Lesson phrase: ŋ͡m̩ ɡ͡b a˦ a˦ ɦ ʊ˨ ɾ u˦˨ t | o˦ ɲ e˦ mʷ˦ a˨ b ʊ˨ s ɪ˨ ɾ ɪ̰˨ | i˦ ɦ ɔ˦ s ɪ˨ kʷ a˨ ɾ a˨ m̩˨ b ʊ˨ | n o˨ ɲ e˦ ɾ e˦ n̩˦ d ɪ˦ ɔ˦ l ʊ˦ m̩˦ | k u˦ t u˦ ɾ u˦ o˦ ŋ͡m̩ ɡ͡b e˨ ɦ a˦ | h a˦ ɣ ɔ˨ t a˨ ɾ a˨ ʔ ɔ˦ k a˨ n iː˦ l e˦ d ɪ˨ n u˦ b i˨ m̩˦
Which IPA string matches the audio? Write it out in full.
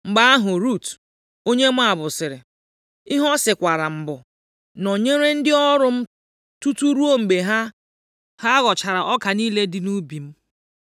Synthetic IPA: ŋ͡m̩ ɡ͡b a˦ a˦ ɦ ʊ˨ ɾ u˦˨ t | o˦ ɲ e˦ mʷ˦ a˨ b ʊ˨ s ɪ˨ ɾ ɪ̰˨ | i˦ ɦ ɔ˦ s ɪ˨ kʷ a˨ ɾ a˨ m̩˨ b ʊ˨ | n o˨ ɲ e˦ ɾ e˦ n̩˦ d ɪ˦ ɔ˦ ɾ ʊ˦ m̩˦ | t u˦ t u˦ ɾ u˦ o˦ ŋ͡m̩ ɡ͡b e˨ ɦ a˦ | h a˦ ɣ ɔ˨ t͡ʃ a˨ ɾ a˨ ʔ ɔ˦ k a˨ n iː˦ l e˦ d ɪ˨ n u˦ b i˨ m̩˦